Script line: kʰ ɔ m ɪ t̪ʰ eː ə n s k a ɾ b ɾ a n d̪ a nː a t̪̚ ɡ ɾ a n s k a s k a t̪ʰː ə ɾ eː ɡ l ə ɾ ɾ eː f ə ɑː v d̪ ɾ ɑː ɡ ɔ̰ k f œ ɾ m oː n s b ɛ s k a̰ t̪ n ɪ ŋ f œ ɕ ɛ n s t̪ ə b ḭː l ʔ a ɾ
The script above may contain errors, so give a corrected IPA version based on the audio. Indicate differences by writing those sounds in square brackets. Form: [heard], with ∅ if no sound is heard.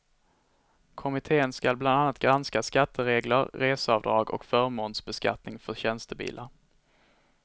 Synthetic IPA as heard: kʰ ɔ m ɪ t̪ʰ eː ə n s k a [l] b [l] a n d̪ a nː a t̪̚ ɡ ɾ a n s k a s k a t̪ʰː ə ɾ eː ɡ l ə ɾ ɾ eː [s] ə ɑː v d̪ ɾ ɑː ɡ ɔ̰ k f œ ɾ m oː n s b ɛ s k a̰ t̪ n ɪ ŋ f œ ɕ ɛ n s t̪ ə b ḭː l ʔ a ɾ